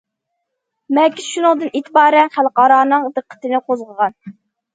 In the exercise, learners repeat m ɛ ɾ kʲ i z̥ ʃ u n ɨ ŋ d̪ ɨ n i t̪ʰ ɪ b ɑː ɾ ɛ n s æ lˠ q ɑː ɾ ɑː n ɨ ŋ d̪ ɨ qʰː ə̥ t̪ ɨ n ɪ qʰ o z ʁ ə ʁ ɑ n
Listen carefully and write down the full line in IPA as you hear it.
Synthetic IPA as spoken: m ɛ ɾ kʲ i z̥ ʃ u n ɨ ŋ d̪ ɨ n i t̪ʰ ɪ b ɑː ɾ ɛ n χ æ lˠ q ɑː ɾ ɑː n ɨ ŋ d̪ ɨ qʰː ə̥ t̪ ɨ n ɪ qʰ o z ʁ ə ʁ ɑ n